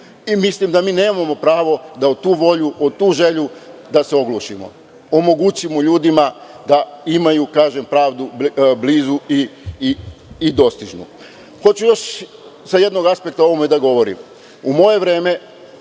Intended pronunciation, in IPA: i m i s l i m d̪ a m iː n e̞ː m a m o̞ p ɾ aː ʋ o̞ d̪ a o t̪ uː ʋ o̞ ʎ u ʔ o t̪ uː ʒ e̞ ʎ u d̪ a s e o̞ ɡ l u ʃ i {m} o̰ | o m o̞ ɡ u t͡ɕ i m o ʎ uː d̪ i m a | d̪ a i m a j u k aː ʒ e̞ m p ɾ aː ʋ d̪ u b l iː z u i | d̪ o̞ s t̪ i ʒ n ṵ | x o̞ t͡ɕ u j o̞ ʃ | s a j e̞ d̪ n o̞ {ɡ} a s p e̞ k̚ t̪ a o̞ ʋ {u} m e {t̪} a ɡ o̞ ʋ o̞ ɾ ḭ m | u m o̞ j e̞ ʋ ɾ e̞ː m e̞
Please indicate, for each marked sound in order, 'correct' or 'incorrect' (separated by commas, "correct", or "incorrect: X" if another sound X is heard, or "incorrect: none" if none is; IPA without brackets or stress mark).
correct, correct, incorrect: o, incorrect: d̪